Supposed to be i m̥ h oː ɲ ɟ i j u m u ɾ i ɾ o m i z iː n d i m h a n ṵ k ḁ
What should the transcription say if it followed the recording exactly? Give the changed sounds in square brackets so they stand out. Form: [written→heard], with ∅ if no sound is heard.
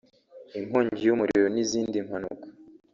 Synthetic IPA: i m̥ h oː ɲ ɟ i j u m u ɾ i ɾ o [m→n] i z iː n d i m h a n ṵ k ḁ